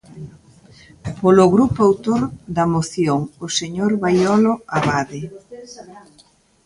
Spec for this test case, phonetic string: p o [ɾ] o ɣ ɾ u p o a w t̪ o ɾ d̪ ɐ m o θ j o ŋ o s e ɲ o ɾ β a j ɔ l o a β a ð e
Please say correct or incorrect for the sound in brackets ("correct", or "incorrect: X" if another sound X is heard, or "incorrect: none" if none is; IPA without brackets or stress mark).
incorrect: l